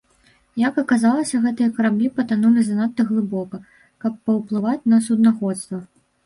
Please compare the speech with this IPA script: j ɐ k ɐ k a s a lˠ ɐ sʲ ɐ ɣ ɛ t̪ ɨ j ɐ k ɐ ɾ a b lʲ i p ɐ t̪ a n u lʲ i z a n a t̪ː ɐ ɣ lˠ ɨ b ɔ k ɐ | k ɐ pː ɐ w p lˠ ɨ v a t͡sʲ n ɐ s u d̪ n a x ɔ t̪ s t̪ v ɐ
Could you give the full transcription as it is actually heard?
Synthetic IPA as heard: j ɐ k ɐ k a z a lˠ ɐ sʲ ɐ ɣ ɛ t̪ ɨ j ɐ k ɐ ɾ a b lʲ i p ɐ t̪ a n u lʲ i z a n a t̪ː ɐ ɣ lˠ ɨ b ɔ k ɐ | k ɐ pː ɐ w p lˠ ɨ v a t͡sʲ n ɐ s u d̪ n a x ɔ t̪ s t̪ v ɐ

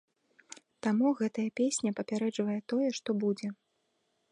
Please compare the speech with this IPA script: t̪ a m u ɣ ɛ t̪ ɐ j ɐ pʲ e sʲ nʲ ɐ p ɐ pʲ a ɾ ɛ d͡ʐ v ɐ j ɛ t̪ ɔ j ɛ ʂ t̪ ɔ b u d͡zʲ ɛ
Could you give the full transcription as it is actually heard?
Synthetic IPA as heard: t̪ a m u ɣ ɛ t̪ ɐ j ɐ pʲ e sʲ nʲ ɐ p ɐ pʲ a ɾ ɛ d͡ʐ v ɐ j ɛ t̪ ɔ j ɛ ʂ t̪ ɔ b u d͡zʲ ɛ

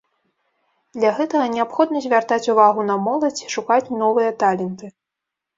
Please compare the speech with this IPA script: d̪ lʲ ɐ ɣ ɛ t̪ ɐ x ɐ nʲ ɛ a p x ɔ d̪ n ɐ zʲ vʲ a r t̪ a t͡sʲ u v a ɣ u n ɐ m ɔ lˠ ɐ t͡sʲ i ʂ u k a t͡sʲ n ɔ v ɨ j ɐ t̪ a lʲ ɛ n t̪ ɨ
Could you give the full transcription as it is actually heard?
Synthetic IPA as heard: d̪ lʲ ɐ ɣ ɛ t̪ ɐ ɣ ɐ nʲ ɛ a p x ɔ d̪ n ɐ zʲ vʲ a r t̪ a t͡sʲ u v a ɣ u n ɐ m ɔ lˠ ɐ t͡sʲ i ʂ u k a t͡sʲ n ɔ v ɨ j ɐ t̪ a lʲ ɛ n t̪ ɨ

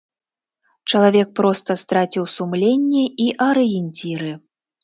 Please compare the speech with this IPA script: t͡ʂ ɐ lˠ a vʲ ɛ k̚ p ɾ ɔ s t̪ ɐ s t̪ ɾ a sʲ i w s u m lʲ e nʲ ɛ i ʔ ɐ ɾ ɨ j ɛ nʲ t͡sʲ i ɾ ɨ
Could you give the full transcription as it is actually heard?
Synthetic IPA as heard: t͡ʂ ɐ lˠ a vʲ ɛ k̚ p ɾ ɔ s t̪ ɐ s t̪ ɾ a t͡sʲ i w s u m lʲ e nʲː ɛ i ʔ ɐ ɾ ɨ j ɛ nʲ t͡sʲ i ɾ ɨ

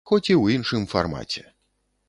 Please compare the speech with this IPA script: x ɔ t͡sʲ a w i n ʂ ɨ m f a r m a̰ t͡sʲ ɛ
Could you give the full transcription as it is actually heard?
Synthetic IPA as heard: x ɔ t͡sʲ i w i n ʂ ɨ m f a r m a̰ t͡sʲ ɛ

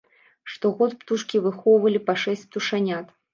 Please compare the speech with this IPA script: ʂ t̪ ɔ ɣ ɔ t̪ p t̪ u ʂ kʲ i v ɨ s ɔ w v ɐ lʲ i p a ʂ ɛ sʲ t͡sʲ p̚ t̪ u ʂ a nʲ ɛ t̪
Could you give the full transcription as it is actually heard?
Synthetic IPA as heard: ʂ t̪ ɔ ɣ ɔ t̪ p t̪ u ʂ kʲ i v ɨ x ɔ w v ɐ lʲ i p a ʂ ɛ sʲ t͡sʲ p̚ t̪ u ʂ a nʲ a t̪

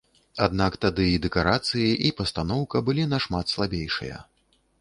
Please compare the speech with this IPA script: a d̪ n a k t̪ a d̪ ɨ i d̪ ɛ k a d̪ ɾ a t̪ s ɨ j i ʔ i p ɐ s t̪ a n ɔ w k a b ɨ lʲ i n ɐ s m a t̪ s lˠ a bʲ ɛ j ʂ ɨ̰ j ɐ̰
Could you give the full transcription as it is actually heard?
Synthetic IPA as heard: a d̪ n a k t̪ a d̪ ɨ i d̪ ɛ k a ɾ a t̪ s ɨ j i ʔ i p ɐ s t̪ a n ɔ w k ɐ b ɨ lʲ i n ɐ ʂ m a t̪ s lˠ a bʲ e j ʂ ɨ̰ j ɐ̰

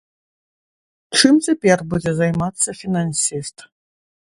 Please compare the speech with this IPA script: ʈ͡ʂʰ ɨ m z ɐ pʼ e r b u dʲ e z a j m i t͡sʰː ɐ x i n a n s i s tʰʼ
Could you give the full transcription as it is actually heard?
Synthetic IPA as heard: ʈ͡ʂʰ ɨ m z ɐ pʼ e r b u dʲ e z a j m a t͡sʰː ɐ f i n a n s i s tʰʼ

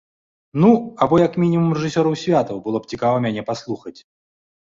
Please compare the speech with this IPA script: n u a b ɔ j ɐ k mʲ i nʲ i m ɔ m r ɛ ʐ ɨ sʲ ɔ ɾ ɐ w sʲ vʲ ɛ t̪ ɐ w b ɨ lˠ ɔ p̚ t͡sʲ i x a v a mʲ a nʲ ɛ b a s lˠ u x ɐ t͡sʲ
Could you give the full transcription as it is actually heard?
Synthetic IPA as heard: n u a b ɔ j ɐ k mʲ i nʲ i m u m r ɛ ʐ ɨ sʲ ɔ ɾ ɐ w sʲ vʲ a t̪ ɐ w b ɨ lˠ ɔ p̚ t͡sʲ i k a v ɐ mʲ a nʲ ɛ p a s lˠ u x ɐ t͡sʲ

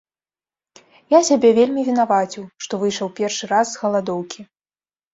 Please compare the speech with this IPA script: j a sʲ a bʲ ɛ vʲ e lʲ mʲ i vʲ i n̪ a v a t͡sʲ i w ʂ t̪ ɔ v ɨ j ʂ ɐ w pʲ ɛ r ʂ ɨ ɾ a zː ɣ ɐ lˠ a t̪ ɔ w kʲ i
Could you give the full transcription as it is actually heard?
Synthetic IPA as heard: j a sʲ a bʲ ɛ vʲ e lʲ mʲ i vʲ i n̪ a v a t͡sʲ i w ʂ t̪ ɔ v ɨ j ʂ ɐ w pʲ ɛ r ʂ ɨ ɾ a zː ɣ ɐ lˠ a d̪ ɔ w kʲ i

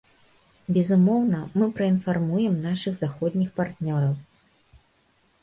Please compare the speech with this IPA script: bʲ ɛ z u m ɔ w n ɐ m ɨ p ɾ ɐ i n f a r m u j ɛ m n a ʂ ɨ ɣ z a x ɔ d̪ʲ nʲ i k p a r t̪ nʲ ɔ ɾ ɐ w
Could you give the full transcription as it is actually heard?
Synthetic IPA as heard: bʲ ɛ z u m ɔ w n ɐ m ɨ p ɾ ɐ i n f a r m u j ɛ m n a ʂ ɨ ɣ z a x ɔ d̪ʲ nʲ i x p a r t̪ nʲ ɔ ɾ ɐ w

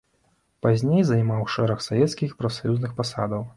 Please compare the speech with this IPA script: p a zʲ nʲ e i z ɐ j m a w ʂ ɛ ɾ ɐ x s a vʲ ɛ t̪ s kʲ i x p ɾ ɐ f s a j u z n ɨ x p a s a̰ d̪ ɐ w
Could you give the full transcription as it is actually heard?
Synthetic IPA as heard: p a zʲ nʲ e j z ɐ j m a w ʂ ɛ ɾ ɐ x s a vʲ ɛ t̪ s kʲ i x p ɾ ɐ f s a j u z n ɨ x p a s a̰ d̪ ɐ w

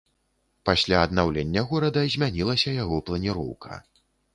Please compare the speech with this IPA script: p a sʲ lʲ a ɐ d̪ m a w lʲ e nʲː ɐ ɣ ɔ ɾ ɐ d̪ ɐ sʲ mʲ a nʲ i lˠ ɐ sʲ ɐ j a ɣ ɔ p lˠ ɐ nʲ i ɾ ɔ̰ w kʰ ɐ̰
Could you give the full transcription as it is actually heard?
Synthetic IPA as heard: p a sʲ lʲ a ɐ d̪ n a w lʲ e nʲː ɐ ɣ ɔ ɾ ɐ d̪ ɐ zʲ mʲ a nʲ i lˠ ɐ sʲ ɐ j a ɣ ɔ p lˠ ɐ nʲ i ɾ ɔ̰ w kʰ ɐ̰

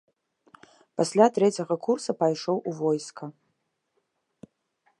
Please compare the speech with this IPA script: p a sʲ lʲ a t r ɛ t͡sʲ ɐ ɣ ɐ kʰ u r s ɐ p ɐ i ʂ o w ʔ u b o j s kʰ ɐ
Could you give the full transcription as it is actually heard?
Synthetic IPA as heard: p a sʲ lʲ a t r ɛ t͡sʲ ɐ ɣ ɐ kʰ u r s ɐ p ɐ j ʂ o w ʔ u v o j s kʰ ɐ

